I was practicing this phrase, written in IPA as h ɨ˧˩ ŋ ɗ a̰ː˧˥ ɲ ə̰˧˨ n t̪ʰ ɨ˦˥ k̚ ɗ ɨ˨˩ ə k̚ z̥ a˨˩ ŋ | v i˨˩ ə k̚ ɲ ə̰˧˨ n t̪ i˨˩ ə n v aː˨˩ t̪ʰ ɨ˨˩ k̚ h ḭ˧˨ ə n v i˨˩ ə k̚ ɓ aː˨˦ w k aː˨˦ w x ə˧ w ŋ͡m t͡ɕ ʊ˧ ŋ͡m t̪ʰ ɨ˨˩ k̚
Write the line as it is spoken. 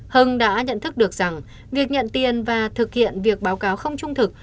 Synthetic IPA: h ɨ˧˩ ŋ ɗ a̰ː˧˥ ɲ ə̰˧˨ n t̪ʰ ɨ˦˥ k̚ ɗ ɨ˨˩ ə k̚ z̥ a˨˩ ŋ | v i˨˩ ə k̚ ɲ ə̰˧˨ n t̪ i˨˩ ə n v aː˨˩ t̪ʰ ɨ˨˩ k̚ h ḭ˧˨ ə n v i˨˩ ə k̚ ɓ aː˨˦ w k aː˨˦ w x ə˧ w ŋ͡m t͡ɕ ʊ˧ ŋ͡m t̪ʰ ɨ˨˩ k̚